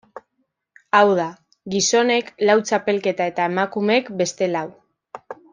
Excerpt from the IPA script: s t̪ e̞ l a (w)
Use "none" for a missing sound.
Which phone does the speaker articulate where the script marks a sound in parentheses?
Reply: w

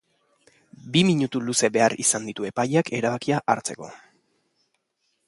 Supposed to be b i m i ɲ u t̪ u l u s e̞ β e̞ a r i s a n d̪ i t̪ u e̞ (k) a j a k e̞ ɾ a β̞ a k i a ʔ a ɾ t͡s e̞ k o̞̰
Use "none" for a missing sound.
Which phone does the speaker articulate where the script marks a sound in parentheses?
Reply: p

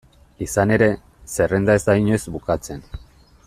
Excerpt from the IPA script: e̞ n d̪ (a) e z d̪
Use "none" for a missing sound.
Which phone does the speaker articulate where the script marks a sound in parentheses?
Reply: a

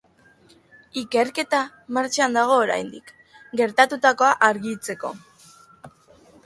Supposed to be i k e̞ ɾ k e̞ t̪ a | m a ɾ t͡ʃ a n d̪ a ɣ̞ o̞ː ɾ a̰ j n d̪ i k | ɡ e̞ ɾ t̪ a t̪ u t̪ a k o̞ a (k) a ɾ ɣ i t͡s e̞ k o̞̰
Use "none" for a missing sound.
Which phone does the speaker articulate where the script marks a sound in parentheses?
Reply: ʔ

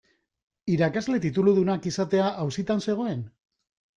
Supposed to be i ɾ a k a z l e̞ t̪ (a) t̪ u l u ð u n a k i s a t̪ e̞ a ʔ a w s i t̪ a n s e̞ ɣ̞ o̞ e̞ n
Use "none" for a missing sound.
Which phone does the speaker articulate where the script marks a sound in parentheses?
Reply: i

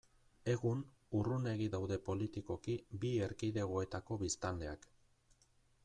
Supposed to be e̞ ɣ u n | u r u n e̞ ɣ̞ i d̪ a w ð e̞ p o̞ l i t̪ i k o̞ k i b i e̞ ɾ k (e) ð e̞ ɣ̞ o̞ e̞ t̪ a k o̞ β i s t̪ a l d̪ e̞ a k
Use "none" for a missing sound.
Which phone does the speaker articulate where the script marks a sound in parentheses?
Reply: i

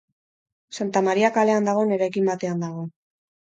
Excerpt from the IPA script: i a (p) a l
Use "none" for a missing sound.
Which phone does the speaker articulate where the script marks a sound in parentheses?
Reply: k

